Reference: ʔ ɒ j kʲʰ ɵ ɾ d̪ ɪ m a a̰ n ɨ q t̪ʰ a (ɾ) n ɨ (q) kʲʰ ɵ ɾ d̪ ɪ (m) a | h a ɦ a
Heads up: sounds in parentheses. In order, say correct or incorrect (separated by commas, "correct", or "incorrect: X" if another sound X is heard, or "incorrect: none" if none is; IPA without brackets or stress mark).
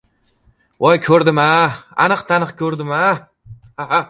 incorrect: none, correct, correct